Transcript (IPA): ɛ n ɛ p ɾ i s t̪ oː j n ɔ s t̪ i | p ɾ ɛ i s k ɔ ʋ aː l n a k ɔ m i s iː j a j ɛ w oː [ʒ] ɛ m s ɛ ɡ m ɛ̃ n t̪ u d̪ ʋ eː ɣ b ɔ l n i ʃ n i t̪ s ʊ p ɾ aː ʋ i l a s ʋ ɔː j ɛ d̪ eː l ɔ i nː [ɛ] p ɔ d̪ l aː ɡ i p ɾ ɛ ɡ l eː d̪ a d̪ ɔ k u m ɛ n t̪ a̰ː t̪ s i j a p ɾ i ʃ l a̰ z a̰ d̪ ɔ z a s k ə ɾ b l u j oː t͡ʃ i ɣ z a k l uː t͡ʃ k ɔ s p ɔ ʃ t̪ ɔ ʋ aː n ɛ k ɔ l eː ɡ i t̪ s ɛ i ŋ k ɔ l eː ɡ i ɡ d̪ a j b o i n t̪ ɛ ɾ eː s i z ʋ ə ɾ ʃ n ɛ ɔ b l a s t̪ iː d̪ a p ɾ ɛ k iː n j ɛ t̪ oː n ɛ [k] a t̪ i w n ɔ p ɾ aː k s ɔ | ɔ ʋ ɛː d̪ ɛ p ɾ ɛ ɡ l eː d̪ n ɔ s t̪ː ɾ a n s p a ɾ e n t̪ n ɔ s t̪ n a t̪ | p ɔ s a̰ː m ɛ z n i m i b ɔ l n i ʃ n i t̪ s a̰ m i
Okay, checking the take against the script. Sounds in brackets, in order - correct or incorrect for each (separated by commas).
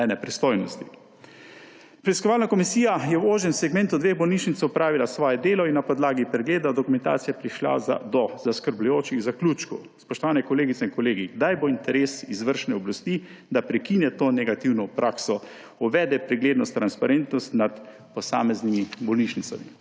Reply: correct, incorrect, incorrect